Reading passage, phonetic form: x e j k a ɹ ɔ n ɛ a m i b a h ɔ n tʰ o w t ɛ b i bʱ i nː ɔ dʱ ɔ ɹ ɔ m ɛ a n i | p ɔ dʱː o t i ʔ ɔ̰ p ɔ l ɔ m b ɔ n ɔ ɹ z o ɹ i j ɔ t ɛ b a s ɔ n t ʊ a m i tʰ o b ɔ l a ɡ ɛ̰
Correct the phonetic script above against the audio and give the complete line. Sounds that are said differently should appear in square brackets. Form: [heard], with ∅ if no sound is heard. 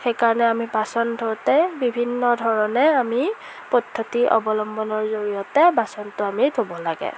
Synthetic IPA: x e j k a ɹ ɔ n ɛ a m i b a [s] ɔ n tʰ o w t ɛ b i bʱ i nː ɔ dʱ ɔ ɹ ɔ [n] ɛ a [m] i | p ɔ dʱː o t i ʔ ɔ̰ [b] ɔ l ɔ m b ɔ n ɔ ɹ z o ɹ i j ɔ t ɛ b a s ɔ n t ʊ a m i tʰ o b ɔ l a ɡ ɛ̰

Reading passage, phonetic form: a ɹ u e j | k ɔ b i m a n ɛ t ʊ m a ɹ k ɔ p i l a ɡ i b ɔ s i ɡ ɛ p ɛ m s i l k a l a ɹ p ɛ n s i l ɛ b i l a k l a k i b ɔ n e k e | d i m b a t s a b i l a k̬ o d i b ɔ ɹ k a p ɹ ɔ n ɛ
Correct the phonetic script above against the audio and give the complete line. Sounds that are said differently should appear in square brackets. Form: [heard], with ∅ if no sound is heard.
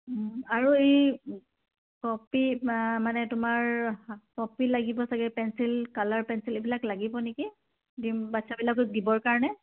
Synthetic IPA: a ɹ u e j | k ɔ [p] i m a n ɛ t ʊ m a ɹ k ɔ p i l a ɡ i b ɔ s [a] ɡ ɛ p ɛ [n] s i l k a l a ɹ p ɛ n s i l [e] b i l a k l a [ɡ] i b ɔ n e k [i] | d i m b a t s a b i l a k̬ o d i b ɔ ɹ k a [∅] ɹ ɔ n ɛ

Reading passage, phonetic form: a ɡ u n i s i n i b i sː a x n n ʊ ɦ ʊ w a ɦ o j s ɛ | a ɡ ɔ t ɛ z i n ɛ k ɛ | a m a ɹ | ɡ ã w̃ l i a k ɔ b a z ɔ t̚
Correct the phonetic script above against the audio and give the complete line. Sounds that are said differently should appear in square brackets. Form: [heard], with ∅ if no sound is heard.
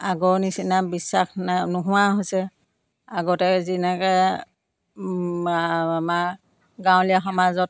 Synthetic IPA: a ɡ [ɔ] n i s i n [a] b i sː a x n n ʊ ɦ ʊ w a ɦ o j s ɛ | a ɡ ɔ t ɛ z i n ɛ k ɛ | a m a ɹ | ɡ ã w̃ l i a [x] ɔ [m] a z ɔ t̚

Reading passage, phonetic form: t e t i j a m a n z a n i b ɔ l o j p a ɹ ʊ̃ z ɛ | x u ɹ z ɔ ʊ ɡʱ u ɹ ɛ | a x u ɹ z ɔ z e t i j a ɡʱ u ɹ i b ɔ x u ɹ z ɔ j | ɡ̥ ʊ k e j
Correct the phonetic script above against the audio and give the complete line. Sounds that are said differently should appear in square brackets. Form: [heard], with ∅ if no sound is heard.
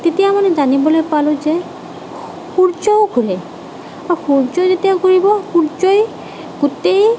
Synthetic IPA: t e t i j a m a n z a n i b ɔ l o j p a [l] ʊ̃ z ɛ | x u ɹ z ɔ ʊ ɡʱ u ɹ ɛ | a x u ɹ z ɔ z e t i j a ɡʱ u ɹ i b ɔ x u ɹ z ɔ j | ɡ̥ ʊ [t] e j

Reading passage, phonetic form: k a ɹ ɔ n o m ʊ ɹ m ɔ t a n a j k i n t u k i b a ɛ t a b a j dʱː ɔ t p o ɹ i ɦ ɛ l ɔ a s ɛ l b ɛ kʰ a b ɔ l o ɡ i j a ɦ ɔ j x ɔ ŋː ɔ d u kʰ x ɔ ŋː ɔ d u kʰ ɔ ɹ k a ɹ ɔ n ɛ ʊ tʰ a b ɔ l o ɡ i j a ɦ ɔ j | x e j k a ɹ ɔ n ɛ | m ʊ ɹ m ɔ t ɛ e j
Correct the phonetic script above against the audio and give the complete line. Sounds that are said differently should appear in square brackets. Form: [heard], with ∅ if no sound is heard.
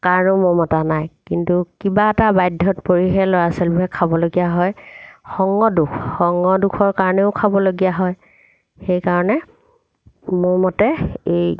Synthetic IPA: k a ɹ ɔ n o m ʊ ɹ m ɔ t a n a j k i n t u k i b a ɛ t a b a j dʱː ɔ t p o ɹ i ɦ ɛ l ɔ a s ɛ l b ɛ kʰ a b ɔ l o ɡ i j a ɦ ɔ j x ɔ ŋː ɔ d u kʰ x ɔ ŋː ɔ d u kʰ ɔ ɹ k a ɹ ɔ n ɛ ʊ [kʰ] a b ɔ l o ɡ i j a ɦ ɔ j | x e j k a ɹ ɔ n ɛ | m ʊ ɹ m ɔ t ɛ e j

